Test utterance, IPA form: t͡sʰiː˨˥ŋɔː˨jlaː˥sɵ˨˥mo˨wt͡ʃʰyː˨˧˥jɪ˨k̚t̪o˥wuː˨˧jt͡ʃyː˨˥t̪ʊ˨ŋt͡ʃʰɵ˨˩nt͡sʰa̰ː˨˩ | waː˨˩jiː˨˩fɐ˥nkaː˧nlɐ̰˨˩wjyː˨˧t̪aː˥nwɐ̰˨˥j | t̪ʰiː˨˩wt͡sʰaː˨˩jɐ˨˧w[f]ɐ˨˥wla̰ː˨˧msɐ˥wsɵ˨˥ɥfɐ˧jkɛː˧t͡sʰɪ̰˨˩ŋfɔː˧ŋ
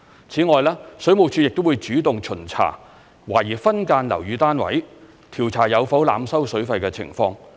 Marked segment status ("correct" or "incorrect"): correct